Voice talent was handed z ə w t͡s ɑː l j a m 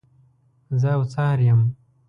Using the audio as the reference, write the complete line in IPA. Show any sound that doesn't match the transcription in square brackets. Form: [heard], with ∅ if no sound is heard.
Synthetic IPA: z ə w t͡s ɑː [ɾ] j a m